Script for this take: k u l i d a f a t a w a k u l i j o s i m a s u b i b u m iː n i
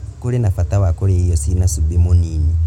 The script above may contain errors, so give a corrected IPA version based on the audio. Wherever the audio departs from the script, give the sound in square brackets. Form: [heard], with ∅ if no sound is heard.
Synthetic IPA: k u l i [n] a f a t a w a k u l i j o s i [n] a s u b i [m] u [n] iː n i